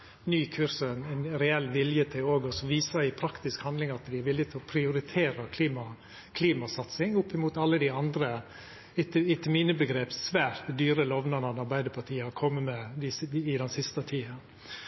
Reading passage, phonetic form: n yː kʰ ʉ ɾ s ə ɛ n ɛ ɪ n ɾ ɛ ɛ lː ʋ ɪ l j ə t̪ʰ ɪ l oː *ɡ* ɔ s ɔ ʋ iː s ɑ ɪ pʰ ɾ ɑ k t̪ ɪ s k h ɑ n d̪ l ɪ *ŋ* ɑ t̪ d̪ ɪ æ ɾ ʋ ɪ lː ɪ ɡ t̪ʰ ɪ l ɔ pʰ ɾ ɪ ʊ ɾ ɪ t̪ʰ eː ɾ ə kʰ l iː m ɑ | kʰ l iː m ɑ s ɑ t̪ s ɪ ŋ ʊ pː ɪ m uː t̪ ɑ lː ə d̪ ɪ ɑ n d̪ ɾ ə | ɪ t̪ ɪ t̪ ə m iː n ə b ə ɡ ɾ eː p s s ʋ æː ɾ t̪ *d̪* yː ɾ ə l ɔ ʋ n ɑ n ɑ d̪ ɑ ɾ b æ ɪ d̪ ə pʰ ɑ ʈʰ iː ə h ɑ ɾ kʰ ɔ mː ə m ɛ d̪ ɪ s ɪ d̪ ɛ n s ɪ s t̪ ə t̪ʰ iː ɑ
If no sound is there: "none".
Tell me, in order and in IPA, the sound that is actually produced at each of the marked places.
ɡ, ŋ, d̪

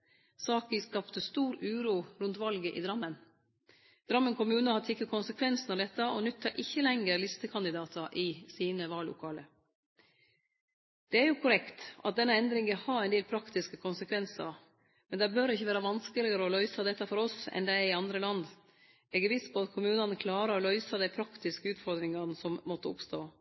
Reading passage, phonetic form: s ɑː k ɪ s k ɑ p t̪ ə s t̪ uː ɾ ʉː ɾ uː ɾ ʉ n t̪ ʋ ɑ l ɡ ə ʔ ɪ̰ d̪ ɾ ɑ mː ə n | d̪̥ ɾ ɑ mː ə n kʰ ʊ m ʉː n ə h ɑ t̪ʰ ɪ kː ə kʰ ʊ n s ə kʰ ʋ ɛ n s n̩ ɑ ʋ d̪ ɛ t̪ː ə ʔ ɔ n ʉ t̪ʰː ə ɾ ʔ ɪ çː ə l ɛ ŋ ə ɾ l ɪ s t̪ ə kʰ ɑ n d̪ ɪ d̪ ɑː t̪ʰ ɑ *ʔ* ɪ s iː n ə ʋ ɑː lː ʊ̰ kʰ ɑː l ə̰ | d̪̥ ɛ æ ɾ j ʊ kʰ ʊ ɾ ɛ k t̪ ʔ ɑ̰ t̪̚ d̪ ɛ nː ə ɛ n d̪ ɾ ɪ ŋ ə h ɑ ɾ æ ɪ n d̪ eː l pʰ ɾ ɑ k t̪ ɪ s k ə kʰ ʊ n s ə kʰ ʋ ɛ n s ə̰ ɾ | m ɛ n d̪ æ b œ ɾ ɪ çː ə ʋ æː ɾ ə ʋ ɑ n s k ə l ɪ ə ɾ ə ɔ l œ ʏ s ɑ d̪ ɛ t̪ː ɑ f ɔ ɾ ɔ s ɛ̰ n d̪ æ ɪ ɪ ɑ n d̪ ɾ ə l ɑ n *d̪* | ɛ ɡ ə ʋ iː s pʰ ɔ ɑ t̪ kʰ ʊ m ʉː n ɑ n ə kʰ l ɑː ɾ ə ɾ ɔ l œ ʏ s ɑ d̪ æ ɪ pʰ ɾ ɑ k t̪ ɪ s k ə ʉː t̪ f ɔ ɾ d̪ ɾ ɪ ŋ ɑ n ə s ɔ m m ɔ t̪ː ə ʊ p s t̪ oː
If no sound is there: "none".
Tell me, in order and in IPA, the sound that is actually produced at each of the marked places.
ʔ, d̪

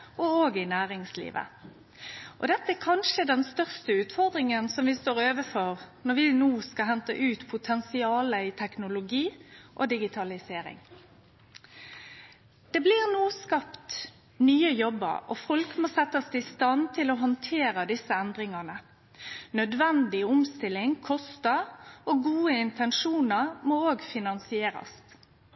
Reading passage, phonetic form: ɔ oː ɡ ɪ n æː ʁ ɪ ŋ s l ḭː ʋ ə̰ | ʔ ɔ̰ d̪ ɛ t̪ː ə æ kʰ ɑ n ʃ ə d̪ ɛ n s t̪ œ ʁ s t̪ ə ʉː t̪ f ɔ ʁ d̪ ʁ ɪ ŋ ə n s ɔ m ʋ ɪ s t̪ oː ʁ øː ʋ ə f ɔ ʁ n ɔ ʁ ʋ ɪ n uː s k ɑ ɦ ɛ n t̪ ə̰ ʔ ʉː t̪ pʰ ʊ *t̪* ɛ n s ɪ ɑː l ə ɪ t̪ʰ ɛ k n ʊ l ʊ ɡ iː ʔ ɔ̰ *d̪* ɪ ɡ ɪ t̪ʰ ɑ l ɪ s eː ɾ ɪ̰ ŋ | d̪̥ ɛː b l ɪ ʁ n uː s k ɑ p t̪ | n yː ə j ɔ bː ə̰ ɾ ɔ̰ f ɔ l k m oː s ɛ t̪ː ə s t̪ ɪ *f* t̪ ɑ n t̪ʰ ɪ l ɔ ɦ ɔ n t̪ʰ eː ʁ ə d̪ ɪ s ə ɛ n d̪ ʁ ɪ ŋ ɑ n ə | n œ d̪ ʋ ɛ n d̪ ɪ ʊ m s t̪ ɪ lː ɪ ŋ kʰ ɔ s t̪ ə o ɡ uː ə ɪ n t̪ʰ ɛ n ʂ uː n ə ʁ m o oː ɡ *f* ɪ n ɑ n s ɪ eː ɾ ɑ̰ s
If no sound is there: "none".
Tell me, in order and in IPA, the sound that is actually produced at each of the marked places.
t̪ʰ, d̪, s, f

